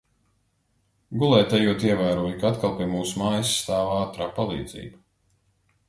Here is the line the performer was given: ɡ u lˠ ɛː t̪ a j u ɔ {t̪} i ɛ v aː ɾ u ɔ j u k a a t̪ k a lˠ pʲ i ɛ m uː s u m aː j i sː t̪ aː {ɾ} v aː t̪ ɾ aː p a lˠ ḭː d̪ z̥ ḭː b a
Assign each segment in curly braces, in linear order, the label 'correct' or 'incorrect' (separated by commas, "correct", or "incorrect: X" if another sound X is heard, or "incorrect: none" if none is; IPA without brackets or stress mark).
correct, incorrect: none